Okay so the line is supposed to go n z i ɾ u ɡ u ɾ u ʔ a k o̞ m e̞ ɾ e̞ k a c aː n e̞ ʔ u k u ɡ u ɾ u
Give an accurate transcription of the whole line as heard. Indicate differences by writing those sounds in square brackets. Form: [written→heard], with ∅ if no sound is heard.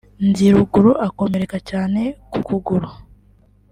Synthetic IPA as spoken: n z i ɾ u ɡ u ɾ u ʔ a k o̞ m e̞ ɾ e̞ k a c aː n e̞ [ʔ→k] u k u ɡ u ɾ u